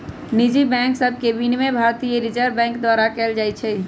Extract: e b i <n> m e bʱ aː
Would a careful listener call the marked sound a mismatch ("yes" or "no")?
no